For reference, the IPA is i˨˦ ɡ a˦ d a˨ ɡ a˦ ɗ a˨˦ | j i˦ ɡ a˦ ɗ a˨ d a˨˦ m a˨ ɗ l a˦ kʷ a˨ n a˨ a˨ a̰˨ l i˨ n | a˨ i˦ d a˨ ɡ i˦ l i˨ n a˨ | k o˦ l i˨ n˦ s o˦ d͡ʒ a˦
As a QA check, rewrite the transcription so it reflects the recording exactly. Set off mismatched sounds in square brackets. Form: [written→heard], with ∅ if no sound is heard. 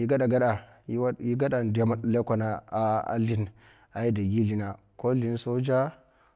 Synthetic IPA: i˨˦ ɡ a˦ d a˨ ɡ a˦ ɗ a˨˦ | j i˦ ɡ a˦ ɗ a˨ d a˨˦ m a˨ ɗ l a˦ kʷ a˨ n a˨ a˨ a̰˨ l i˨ n | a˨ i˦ d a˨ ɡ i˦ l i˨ n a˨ | k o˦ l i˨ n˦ s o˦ d͡ʒ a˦